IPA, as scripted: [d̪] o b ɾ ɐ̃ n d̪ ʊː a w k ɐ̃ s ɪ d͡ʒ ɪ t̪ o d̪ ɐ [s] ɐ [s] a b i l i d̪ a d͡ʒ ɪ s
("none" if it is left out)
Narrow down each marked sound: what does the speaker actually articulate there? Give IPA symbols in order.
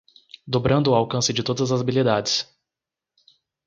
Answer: d̪, z, z

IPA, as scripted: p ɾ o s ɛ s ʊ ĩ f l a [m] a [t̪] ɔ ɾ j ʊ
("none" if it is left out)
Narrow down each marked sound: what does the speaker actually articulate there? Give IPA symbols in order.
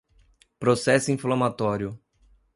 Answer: m, t̪

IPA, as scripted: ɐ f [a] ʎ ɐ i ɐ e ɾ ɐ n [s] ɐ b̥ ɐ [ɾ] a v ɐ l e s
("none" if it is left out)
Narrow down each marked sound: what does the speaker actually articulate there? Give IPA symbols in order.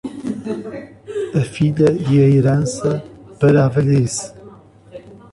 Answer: i, s, ɾ

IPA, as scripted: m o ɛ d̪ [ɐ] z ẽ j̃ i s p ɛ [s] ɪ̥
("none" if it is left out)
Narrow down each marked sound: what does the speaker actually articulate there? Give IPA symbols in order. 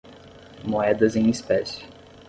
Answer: ɐ, s

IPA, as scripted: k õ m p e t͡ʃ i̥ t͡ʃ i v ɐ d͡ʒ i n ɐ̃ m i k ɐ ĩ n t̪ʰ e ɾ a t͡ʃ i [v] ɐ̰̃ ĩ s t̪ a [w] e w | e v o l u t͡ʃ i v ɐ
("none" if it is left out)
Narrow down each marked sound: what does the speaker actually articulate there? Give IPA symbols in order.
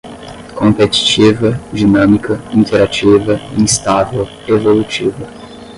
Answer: v, v

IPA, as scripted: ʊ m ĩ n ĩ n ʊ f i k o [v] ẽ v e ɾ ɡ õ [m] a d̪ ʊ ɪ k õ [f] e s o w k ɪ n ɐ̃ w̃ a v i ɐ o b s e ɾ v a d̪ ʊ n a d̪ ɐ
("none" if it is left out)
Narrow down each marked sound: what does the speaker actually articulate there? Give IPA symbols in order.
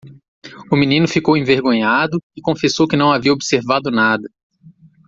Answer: w, ɲ, f

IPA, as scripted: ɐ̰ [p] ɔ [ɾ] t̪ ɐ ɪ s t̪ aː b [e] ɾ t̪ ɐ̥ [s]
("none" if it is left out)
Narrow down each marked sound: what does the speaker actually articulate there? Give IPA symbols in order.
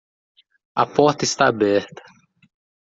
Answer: p, ɾ, ɛ, none

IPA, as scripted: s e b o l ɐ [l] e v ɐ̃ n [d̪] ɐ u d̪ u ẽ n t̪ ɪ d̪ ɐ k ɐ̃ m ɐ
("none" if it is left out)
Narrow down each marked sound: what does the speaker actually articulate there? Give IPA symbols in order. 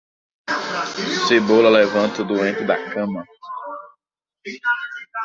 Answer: l, t̪

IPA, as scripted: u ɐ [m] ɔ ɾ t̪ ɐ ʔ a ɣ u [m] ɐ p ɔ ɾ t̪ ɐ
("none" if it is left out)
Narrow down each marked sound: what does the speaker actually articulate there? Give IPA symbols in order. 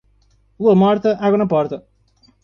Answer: m, n

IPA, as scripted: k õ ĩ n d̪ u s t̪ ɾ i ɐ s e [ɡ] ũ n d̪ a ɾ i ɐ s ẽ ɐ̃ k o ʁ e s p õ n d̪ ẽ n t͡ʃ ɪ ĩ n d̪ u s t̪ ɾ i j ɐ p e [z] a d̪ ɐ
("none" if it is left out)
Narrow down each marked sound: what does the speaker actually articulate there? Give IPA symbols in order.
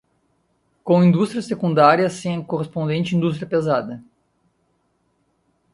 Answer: k, z

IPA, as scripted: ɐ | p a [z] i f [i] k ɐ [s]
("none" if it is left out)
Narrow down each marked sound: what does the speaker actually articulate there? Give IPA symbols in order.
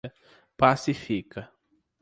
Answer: s, i, none

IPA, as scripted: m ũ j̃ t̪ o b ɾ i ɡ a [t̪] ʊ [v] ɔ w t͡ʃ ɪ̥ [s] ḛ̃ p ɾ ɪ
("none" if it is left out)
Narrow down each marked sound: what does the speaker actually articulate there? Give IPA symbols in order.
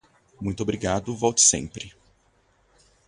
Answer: d̪, v, s

